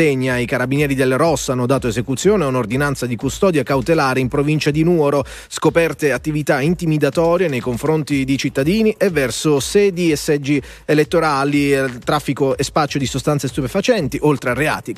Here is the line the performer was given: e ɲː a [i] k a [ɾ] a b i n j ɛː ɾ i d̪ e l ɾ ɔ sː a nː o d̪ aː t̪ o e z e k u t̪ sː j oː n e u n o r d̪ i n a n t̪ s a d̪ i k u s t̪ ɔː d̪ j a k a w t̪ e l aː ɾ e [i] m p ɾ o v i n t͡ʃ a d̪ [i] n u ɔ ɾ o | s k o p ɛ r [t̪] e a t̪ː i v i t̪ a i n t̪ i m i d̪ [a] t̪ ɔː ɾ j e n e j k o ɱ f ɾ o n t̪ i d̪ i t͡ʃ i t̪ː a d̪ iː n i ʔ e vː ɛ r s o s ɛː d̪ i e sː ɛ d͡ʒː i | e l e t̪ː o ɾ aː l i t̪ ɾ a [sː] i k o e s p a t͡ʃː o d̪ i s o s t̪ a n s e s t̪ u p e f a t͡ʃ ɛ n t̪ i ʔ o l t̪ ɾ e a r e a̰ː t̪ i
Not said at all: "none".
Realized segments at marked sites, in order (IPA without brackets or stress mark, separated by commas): i, ɾ, i, i, t̪, a, fː